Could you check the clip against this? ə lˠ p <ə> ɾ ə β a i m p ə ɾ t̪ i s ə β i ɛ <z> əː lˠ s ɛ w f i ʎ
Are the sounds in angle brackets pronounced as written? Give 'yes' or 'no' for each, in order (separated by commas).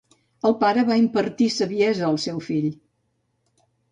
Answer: no, yes